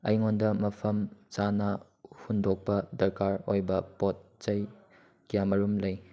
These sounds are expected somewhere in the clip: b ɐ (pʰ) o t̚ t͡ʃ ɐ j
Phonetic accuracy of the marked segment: incorrect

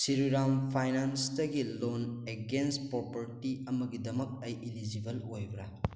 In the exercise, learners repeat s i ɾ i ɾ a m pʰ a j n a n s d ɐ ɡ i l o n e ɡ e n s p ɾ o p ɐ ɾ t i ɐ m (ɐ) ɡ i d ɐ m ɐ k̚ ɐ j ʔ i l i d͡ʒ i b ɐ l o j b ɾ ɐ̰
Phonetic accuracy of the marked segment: correct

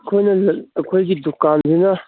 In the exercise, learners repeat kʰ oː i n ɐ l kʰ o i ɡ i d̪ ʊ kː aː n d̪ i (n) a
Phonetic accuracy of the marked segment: correct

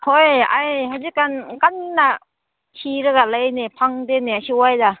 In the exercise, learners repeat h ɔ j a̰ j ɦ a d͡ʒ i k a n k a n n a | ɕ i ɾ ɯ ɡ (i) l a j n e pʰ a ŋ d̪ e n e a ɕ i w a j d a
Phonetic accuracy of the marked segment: incorrect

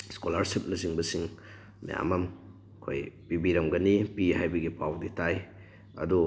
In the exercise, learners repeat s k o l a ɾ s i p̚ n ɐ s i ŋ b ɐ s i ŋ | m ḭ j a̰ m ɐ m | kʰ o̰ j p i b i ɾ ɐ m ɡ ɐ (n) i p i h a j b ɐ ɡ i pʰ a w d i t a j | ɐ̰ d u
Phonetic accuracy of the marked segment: correct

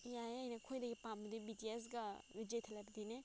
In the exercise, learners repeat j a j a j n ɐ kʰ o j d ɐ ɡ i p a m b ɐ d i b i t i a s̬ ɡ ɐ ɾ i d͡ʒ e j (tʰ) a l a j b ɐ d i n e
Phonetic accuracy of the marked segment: correct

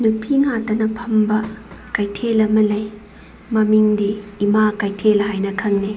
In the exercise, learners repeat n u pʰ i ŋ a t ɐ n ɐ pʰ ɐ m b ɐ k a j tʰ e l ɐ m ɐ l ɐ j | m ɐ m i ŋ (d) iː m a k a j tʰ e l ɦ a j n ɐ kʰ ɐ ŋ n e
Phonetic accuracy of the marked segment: correct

